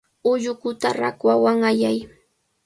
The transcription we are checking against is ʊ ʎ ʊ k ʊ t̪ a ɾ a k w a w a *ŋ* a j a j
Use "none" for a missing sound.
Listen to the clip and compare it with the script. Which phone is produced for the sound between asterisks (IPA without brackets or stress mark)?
ŋ